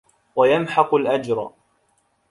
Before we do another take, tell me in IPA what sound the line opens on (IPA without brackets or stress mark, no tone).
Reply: w